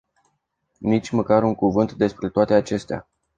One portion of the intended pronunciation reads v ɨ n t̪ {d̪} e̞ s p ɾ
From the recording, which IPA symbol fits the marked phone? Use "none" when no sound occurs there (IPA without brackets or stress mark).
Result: d̪